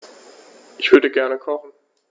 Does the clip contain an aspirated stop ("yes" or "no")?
yes